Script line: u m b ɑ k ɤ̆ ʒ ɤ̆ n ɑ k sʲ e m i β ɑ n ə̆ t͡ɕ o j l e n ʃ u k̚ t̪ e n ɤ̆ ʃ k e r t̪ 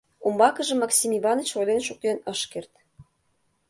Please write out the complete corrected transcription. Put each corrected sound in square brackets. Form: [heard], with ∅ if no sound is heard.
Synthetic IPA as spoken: u m b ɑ k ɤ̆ ʒ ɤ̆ [m] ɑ k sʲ [i] m i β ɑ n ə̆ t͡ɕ o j l e n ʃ u k̚ t̪ e n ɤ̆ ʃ k e r t̪